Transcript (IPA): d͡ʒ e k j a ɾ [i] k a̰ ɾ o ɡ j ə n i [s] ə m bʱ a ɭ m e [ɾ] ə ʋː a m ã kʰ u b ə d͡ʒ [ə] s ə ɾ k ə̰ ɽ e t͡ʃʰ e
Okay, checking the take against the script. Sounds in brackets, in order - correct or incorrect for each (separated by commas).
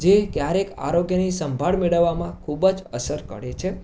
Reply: incorrect, correct, incorrect, correct